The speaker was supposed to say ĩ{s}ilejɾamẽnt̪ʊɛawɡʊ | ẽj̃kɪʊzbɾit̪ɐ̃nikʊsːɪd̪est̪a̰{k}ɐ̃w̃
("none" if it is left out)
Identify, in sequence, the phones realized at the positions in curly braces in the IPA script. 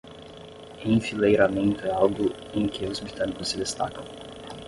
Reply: f, k

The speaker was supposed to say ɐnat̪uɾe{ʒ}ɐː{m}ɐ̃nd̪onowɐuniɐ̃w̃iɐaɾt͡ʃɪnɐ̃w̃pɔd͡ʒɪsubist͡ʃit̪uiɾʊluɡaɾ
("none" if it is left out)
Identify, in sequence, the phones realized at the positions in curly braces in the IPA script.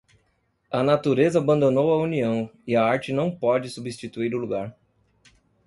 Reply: z, b

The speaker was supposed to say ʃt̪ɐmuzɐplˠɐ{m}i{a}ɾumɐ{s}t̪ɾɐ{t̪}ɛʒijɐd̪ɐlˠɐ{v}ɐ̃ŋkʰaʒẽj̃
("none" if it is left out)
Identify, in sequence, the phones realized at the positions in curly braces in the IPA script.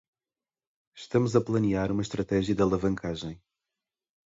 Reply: n, a, ʃ, t̪, v

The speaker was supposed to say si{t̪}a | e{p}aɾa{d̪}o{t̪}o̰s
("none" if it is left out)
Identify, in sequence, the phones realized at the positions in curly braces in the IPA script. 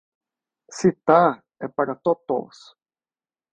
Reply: t̪, p, t̪, t̪

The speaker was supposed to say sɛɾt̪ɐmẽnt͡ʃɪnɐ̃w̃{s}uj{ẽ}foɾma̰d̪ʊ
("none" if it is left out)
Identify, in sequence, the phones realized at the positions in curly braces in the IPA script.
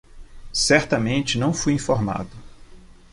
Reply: f, ĩ

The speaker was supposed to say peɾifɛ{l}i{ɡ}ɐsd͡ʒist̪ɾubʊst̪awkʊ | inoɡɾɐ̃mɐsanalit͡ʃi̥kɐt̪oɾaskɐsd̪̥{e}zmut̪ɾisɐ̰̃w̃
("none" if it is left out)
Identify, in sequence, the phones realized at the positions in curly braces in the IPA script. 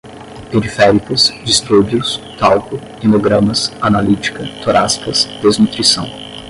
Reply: ɾ, k, e

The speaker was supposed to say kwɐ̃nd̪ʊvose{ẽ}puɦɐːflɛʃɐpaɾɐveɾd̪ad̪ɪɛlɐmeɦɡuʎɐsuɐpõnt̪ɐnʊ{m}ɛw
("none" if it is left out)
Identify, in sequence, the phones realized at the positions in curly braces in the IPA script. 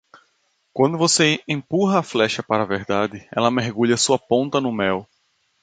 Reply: ẽ, m

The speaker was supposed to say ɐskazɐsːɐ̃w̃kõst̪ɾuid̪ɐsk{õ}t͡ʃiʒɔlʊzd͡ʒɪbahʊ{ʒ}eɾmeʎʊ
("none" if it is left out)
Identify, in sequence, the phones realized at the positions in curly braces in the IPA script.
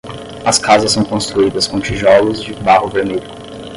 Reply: õ, v

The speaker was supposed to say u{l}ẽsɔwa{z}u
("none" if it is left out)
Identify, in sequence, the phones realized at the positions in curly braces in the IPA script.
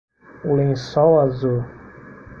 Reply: l, z

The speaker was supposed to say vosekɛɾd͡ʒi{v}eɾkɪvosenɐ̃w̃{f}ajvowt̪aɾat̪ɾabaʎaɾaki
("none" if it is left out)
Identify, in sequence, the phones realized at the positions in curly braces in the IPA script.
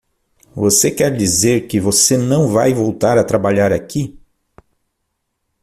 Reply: z, v

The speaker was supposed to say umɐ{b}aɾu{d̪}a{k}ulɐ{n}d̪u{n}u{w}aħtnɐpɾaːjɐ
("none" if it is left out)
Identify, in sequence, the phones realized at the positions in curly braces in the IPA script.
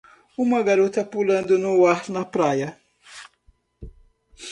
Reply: ɡ, t̪, p, n, n, w

